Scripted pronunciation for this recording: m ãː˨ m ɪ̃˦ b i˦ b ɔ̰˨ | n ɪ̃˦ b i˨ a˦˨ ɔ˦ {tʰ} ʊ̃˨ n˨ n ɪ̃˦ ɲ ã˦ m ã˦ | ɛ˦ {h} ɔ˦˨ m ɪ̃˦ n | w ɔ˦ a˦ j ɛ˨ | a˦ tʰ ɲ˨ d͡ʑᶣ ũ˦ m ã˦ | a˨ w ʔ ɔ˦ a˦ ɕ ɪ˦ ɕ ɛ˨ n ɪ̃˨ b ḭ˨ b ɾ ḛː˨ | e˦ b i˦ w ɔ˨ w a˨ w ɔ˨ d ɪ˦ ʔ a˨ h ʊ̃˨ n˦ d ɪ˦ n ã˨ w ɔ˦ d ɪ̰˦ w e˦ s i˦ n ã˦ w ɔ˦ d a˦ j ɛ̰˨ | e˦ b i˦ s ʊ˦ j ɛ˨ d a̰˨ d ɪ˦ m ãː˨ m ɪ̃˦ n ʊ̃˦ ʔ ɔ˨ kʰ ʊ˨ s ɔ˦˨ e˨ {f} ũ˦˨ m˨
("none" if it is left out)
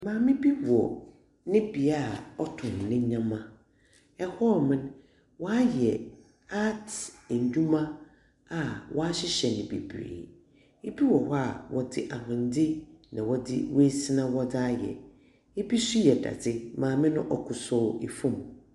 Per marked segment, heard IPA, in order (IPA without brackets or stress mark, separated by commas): tʰ, h, f